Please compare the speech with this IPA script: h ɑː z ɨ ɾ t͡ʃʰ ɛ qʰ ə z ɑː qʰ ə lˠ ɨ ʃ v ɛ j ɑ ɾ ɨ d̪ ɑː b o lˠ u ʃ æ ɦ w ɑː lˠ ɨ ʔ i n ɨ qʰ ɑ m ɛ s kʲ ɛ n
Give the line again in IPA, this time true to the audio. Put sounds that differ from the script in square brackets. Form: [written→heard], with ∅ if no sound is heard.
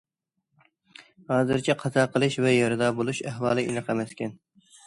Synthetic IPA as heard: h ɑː z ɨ ɾ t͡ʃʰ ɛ qʰ [ə→ɑ] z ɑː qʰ ə lˠ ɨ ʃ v ɛ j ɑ ɾ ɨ d̪ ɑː b o lˠ u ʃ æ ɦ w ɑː lˠ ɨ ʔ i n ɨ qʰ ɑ m ɛ s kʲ ɛ n